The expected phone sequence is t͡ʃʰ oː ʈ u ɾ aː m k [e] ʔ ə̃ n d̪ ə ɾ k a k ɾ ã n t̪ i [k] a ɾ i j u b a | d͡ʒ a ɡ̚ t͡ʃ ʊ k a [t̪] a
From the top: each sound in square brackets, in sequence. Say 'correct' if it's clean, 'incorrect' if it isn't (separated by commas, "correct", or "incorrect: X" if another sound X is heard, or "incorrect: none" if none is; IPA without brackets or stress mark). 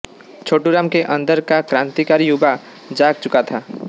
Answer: correct, correct, incorrect: t̪ʰ